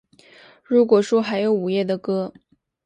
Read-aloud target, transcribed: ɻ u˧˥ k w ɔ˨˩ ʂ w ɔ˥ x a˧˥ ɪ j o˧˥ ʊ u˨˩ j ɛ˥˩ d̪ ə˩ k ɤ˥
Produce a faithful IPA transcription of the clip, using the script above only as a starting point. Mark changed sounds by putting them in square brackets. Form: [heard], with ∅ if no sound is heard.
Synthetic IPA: ɻ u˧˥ k w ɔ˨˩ ʂ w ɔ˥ x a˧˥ ɪ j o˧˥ ʊ u˨˩ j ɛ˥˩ d̪ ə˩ k ɤ˥